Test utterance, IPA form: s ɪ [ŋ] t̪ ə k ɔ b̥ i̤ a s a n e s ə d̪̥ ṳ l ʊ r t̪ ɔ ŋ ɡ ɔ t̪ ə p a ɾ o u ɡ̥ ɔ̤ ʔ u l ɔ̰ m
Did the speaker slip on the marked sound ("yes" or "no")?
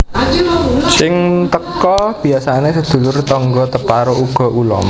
no